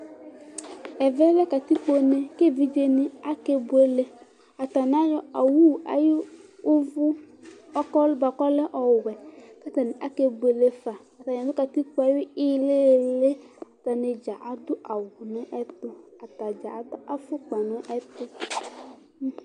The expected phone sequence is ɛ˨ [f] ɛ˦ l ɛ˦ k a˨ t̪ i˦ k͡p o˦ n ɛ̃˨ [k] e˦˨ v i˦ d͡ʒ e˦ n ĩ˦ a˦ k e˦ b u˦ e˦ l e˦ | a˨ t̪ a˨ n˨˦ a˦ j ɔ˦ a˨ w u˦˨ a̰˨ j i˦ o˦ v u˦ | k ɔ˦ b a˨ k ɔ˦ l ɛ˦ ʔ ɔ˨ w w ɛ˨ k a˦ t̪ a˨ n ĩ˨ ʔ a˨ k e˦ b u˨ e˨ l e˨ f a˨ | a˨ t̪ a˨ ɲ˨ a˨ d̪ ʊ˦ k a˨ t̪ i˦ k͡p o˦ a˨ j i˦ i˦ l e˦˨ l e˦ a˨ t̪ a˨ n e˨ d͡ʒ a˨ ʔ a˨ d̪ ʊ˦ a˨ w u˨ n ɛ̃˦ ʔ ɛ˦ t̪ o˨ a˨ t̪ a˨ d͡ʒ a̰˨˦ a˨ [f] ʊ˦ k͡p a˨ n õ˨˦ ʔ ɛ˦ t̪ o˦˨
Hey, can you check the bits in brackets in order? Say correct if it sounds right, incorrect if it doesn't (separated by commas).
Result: incorrect, correct, correct